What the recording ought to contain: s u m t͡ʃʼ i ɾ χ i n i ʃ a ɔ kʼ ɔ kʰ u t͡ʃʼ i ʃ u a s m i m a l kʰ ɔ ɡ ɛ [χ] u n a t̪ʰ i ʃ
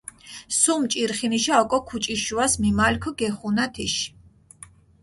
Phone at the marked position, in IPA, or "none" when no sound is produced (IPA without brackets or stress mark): χ